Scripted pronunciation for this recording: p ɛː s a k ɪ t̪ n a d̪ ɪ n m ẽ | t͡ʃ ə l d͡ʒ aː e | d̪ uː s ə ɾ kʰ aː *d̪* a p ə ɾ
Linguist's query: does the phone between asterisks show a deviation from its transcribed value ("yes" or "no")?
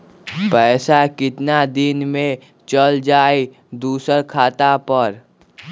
yes